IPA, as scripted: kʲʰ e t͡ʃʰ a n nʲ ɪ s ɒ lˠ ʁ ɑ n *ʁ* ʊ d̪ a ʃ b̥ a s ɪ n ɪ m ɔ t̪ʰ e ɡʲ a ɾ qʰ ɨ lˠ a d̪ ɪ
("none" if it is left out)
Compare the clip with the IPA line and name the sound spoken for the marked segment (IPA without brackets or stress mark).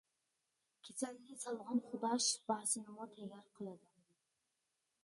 χ